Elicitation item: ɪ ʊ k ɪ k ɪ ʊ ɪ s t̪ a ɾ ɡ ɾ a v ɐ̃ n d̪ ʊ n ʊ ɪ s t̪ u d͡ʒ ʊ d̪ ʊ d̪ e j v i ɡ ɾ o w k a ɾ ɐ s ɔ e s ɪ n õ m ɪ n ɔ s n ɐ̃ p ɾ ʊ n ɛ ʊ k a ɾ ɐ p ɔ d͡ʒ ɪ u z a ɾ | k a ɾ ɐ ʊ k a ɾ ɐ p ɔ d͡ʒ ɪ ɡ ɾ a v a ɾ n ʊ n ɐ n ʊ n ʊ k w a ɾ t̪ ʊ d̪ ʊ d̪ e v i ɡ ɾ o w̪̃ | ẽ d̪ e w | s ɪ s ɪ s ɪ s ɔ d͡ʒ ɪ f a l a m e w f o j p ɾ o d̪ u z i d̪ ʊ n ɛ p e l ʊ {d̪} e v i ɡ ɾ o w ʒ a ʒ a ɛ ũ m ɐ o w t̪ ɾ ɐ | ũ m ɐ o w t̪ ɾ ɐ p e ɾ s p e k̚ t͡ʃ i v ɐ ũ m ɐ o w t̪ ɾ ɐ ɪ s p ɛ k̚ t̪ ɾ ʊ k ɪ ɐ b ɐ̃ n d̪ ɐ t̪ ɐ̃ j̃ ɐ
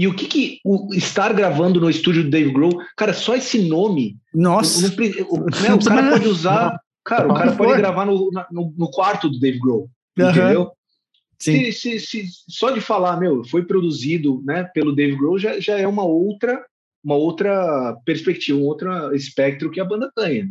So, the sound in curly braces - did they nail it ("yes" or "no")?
yes